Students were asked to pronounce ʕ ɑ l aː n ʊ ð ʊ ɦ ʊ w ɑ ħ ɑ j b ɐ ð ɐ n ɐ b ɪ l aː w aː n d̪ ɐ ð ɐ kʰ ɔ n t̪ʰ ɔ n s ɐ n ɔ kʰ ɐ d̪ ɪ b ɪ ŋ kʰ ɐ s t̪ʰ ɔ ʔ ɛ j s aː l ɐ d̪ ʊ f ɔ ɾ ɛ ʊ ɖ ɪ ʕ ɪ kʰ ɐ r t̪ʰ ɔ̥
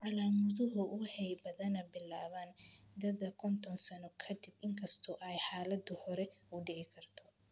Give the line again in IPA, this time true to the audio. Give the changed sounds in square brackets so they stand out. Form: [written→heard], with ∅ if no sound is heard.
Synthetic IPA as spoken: ʕ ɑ l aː [n→m] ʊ ð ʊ ɦ ʊ w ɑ ħ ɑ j b ɐ ð ɐ n ɐ b ɪ l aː [w→β] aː n d̪ ɐ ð ɐ kʰ ɔ n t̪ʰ ɔ n s ɐ n ɔ kʰ ɐ d̪ ɪ b ɪ ŋ kʰ ɐ s t̪ʰ ɔ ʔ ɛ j [s→ħ] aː l ɐ d̪ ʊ [f→h] ɔ ɾ ɛ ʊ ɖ ɪ ʕ ɪ kʰ ɐ r t̪ʰ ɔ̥